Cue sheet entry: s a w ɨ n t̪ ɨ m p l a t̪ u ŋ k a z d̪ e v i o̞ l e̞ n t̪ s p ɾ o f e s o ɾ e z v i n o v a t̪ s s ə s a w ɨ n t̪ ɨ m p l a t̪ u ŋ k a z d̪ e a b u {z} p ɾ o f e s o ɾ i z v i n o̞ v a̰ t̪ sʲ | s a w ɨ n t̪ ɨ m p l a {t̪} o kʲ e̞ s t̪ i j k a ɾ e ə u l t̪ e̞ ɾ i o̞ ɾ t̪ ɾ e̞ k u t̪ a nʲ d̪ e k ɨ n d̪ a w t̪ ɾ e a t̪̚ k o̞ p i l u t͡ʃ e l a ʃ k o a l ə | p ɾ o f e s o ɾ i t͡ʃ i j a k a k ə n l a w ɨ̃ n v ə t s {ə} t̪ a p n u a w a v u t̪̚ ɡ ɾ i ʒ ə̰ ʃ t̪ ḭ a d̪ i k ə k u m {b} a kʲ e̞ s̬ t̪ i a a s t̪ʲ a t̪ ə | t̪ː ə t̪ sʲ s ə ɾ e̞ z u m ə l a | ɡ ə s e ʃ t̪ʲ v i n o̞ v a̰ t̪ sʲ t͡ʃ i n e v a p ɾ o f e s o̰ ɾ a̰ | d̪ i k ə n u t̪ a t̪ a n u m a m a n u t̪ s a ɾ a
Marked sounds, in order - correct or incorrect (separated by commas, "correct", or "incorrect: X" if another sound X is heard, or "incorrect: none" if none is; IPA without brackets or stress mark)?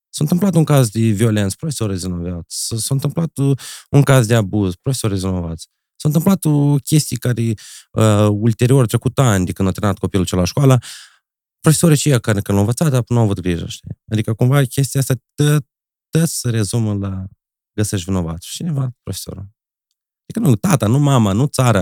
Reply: correct, correct, incorrect: a, incorrect: v